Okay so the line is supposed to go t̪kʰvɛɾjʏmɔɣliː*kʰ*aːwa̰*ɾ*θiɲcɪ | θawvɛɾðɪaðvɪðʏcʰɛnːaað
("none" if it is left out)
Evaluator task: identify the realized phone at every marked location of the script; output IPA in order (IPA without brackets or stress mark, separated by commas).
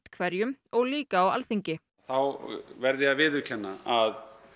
k, l